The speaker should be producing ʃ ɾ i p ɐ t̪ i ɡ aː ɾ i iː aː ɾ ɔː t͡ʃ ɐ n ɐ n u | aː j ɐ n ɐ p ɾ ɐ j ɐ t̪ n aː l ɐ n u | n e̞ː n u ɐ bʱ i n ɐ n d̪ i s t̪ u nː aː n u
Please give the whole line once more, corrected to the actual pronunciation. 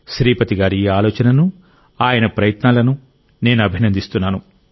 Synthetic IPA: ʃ ɾ iː p ɐ t̪ i ɡ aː ɾ i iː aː l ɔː t͡ʃ ɐ n ɐ n u | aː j ɐ n ɐ p ɾ ɐ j ɐ t̪ n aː l ɐ n u | n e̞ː n u ɐ bʱ i n ɐ n d̪ i s t̪ u nː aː n u